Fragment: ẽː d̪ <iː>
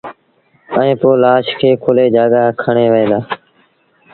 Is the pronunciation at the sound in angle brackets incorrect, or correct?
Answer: incorrect